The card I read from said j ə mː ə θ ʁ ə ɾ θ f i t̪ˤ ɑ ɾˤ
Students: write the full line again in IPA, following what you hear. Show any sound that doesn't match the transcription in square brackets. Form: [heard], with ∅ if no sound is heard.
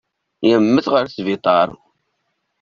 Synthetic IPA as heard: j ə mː ə θ ʁ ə ɾ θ [v] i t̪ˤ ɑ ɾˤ